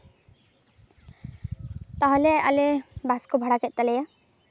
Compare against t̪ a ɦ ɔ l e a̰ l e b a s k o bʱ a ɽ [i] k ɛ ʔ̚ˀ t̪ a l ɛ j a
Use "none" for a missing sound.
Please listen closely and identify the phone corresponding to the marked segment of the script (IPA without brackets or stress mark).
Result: a